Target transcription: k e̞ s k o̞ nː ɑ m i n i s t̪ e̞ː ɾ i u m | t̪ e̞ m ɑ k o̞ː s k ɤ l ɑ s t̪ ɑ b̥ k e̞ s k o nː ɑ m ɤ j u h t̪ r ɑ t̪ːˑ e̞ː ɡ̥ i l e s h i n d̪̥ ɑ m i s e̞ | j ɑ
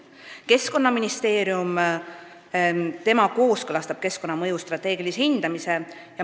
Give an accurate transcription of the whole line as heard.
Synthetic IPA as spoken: k e̞ s k o̞ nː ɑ m i n i s t̪ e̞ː ɾ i u m | t̪ e̞ m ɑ k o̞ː s k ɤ l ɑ s t̪ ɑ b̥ k e̞ s k o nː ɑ m ɤ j u s t̪ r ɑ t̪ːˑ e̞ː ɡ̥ i l i s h i n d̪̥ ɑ m i s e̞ | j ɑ